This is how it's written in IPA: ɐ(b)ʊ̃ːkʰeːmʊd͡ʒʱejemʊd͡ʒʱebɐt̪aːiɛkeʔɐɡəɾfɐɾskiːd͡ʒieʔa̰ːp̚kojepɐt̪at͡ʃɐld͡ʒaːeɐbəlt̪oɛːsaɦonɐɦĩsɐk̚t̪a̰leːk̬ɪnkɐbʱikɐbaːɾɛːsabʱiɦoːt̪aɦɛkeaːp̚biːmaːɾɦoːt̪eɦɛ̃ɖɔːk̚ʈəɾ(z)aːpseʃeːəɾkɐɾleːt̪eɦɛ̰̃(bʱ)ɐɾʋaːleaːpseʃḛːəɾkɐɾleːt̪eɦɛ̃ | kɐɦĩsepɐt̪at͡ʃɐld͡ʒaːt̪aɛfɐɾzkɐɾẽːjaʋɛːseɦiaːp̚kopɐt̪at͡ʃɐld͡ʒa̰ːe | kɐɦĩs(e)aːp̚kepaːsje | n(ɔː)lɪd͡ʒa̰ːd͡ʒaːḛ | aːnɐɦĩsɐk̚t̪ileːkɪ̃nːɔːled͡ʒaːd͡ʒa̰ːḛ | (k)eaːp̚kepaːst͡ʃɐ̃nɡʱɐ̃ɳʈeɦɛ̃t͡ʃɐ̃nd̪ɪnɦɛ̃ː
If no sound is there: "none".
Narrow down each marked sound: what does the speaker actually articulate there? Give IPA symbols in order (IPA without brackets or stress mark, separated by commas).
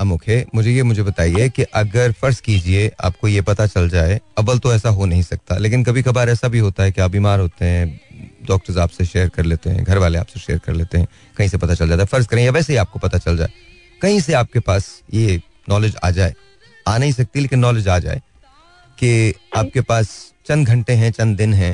m, z, ɡʱ, e, ɔː, k